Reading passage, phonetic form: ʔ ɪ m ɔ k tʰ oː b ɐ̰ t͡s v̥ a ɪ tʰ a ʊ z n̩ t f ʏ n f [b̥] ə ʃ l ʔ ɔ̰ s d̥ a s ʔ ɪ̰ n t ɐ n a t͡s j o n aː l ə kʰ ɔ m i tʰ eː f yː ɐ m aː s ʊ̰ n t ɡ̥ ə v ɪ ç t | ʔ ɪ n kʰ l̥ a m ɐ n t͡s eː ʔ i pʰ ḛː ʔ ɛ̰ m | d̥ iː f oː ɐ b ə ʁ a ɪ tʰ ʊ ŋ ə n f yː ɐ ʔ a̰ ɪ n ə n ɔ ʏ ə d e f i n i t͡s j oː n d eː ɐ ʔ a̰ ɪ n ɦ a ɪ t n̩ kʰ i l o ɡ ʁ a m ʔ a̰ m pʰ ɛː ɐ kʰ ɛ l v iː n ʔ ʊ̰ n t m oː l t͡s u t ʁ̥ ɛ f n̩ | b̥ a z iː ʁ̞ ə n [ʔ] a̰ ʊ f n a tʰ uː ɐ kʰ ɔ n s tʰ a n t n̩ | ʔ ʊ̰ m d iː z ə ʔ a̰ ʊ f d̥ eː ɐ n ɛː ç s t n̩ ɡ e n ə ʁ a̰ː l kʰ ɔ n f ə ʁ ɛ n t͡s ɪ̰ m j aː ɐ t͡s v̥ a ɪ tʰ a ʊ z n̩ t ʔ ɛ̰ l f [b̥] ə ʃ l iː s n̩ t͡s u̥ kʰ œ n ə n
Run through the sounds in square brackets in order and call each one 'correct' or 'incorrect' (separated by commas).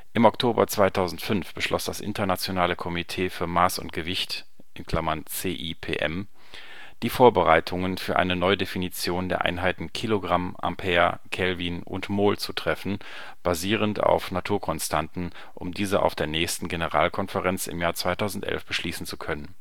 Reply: correct, incorrect, correct